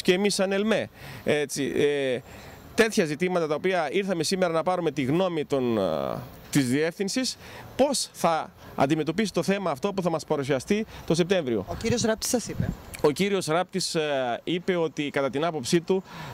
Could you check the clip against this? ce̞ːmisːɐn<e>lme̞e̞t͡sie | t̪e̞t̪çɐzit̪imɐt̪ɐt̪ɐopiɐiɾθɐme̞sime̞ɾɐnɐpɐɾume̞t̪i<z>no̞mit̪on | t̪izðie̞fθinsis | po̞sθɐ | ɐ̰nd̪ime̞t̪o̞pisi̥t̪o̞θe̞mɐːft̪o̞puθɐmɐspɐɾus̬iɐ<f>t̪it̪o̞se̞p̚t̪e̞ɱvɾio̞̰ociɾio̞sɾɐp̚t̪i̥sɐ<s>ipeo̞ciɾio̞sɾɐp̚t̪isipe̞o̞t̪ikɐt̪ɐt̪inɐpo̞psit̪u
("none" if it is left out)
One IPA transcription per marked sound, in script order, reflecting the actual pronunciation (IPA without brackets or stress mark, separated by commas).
e, ɣ, s, s